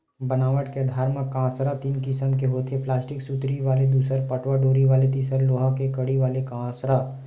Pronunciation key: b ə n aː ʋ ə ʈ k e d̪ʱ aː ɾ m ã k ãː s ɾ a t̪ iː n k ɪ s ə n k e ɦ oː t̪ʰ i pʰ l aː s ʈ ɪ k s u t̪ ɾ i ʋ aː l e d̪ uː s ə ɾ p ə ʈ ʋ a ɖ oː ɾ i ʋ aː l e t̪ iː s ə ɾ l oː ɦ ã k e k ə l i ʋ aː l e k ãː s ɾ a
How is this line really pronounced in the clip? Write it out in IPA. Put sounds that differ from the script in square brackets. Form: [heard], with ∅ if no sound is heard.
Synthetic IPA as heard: b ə n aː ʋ ə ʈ k e d̪ʱ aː ɾ m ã k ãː s ɾ a t̪ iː n k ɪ s ə [m] k e ɦ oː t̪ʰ [e] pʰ l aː s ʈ ɪ k s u t̪ ɾ i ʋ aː l e d̪ uː s ə ɾ p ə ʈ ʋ a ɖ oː ɾ i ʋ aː l e t̪ iː s ə ɾ l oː ɦ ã k e k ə [ɽ] i ʋ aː l e k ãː s ɾ a